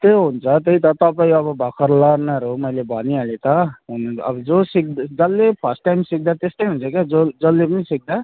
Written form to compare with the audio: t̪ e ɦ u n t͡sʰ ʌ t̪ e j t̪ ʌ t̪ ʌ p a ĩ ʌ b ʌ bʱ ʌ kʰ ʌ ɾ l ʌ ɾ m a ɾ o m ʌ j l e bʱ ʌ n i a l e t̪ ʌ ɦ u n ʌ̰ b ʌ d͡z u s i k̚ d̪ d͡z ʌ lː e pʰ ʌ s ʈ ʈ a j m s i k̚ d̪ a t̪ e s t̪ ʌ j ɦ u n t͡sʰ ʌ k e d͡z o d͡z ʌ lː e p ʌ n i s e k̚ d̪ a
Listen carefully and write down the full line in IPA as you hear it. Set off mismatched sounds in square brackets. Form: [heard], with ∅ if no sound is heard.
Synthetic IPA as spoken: t̪ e ɦ u n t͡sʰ ʌ t̪ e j t̪ ʌ t̪ ʌ p a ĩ ʌ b ʌ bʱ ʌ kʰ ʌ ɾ l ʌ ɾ [n] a ɾ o m ʌ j l e bʱ ʌ n i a l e t̪ ʌ ɦ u n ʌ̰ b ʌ d͡z [o] s i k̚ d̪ d͡z ʌ lː e pʰ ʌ s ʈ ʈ a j m s i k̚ d̪ a t̪ e s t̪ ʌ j ɦ u n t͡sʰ ʌ k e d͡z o d͡z ʌ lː e p ʌ n i s [i] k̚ d̪ a